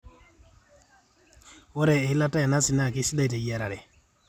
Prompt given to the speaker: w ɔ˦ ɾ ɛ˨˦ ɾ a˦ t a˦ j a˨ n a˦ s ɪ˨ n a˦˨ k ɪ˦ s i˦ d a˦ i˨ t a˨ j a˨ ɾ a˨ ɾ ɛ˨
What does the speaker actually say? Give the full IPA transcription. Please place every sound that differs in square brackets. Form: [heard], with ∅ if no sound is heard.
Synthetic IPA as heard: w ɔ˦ ɾ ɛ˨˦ [l] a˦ t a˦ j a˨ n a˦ s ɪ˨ n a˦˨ k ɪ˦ s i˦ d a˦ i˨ t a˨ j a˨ ɾ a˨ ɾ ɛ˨

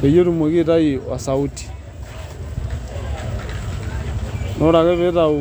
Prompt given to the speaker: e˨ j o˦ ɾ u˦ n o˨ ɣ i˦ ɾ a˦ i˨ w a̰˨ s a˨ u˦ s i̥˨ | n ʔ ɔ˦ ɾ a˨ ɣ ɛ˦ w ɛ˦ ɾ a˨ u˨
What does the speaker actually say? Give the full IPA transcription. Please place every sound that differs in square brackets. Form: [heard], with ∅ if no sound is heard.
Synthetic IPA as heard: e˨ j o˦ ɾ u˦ [m] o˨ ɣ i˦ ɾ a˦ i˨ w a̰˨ s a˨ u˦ [t] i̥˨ | n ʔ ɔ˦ ɾ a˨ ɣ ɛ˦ [β] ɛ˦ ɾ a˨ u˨

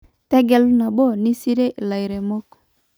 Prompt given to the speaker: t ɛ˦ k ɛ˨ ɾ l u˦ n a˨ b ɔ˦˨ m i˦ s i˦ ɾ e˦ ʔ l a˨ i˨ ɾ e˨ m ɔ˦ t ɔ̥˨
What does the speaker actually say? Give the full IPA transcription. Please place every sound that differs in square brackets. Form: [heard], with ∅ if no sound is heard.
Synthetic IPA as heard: t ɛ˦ [ɡ] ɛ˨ [∅] l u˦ n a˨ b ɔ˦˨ [n] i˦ s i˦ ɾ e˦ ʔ l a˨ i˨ ɾ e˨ m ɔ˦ [k] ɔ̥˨

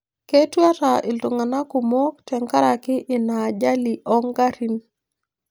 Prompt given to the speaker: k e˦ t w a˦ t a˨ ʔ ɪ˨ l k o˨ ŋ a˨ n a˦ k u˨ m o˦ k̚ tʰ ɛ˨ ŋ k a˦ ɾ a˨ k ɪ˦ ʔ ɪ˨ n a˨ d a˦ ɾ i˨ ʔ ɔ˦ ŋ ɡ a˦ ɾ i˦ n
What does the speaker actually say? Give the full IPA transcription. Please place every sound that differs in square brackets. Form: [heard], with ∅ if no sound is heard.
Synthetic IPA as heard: k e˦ t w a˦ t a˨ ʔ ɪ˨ l [t] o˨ ŋ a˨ n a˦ k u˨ m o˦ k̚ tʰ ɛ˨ ŋ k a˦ ɾ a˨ k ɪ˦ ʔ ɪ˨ n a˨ [d͡ʒ] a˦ [l] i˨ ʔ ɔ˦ ŋ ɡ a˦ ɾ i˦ n

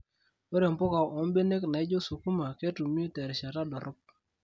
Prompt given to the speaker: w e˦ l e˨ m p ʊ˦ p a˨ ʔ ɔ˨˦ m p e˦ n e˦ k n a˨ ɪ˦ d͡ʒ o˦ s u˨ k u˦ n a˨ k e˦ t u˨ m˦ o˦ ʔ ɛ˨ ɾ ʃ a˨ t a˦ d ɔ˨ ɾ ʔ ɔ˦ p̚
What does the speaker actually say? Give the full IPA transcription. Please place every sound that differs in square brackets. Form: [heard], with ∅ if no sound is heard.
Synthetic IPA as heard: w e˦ [ɾ] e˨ m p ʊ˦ [k] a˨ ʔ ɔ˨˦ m [b] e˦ n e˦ k n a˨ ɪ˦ d͡ʒ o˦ s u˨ k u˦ [m] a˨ k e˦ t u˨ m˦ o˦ [t] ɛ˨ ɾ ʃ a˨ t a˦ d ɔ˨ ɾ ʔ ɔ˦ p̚

